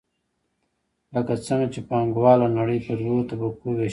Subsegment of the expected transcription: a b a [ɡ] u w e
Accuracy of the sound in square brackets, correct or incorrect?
incorrect